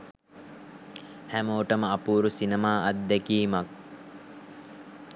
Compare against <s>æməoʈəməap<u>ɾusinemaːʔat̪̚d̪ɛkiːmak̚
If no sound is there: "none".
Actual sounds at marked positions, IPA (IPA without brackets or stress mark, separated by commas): h, uː